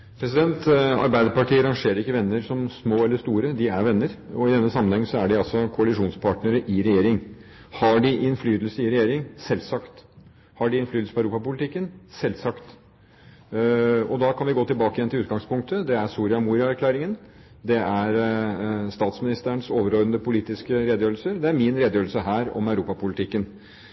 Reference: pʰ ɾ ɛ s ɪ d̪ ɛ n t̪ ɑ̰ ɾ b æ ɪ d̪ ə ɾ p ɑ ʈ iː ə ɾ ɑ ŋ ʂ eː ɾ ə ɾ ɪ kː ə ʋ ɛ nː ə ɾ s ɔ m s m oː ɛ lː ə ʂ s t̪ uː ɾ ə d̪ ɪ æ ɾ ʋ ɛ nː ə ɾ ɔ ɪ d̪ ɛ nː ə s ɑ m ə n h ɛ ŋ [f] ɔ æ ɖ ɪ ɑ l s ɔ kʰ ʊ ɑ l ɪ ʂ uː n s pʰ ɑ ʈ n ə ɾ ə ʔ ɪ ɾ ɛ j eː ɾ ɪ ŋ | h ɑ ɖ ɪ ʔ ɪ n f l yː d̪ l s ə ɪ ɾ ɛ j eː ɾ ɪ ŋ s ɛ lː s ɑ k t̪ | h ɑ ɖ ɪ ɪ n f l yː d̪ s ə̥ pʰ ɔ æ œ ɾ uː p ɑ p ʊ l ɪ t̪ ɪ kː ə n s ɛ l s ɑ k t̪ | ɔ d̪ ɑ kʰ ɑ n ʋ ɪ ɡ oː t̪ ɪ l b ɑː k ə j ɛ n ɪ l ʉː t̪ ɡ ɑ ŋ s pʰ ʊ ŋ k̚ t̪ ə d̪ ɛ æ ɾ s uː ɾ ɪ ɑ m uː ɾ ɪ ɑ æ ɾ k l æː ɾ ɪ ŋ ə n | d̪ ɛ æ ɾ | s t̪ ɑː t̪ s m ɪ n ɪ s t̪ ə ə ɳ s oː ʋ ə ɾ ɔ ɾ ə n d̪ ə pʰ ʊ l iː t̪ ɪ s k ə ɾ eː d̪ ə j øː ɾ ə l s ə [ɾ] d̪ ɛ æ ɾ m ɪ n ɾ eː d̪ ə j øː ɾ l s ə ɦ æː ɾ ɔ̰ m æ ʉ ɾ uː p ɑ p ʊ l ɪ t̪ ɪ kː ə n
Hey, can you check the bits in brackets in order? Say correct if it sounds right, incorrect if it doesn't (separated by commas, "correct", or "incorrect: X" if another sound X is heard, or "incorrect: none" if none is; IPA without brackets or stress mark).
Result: incorrect: s, correct